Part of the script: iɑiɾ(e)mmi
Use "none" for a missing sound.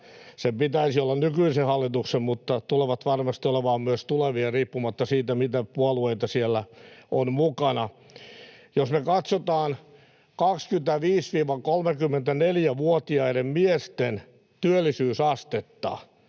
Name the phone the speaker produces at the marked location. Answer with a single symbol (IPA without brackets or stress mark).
e